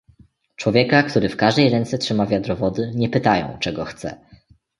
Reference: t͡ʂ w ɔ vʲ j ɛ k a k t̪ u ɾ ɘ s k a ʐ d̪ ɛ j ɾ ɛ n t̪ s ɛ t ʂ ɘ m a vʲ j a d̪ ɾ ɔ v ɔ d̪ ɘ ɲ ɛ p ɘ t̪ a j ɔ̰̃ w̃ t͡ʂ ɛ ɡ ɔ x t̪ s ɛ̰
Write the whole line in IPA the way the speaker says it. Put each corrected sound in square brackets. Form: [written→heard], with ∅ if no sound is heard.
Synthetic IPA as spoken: t͡ʂ w ɔ vʲ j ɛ k a k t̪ u ɾ ɘ [s→f] k a ʐ d̪ ɛ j ɾ ɛ n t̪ s ɛ t ʂ ɘ m a vʲ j a d̪ ɾ ɔ v ɔ d̪ ɘ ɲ ɛ p ɘ t̪ a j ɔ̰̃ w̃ t͡ʂ ɛ ɡ ɔ x t̪ s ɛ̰